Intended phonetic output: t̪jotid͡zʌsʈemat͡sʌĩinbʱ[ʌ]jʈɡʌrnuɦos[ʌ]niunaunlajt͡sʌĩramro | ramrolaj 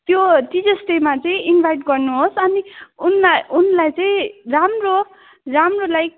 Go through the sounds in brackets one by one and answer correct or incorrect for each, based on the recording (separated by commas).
incorrect, correct